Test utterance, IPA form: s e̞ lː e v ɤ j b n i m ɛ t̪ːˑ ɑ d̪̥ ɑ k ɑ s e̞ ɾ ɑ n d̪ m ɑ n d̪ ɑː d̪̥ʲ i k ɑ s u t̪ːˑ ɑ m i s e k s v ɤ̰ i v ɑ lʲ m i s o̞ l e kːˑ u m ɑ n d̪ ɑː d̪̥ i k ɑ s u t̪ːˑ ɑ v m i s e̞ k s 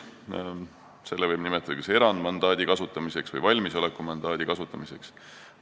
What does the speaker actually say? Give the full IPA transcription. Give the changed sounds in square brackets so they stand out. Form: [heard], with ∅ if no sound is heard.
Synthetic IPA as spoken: s e̞ lː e v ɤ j b n i m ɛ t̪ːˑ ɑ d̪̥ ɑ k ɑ s e̞ ɾ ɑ n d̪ m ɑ n d̪ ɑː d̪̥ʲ i k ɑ s u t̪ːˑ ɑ m i s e k s v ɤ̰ [j] v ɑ lʲ m i s o̞ l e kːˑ u m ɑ n d̪ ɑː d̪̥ i k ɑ s u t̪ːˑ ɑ [∅] m i s e̞ k s